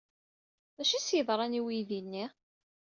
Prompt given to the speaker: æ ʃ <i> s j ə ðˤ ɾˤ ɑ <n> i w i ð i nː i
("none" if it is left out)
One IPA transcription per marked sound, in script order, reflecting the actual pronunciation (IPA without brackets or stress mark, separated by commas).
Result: i, n